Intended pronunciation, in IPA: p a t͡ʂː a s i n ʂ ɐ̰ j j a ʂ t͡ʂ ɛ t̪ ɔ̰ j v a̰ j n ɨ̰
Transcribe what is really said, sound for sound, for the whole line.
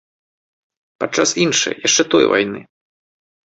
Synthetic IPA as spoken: p a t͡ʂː a s i n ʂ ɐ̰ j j a ʂ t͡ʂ ɛ t̪ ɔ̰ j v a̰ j n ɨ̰